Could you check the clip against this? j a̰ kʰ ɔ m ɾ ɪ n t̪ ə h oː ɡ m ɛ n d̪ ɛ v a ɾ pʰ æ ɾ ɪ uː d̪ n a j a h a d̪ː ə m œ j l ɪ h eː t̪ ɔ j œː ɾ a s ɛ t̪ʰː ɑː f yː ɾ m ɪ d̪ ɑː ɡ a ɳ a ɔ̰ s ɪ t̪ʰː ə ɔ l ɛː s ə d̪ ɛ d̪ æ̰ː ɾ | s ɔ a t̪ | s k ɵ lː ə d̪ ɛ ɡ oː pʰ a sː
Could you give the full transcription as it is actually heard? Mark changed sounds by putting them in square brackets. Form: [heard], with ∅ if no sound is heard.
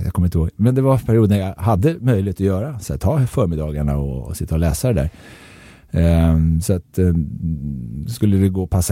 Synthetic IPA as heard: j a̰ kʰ ɔ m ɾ ɪ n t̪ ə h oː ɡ m ɛ n d̪ ɛ v a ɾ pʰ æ ɾ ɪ uː d̪ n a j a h a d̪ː ə m œ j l ɪ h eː t̪ ɔ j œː ɾ a s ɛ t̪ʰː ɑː f [œː] ɾ m ɪ d̪ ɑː ɡ a ɳ a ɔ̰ s ɪ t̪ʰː [a] ɔ l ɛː s [a] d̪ ɛ d̪ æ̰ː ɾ | s ɔ a t̪ | s k ɵ lː ə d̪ ɛ ɡ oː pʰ a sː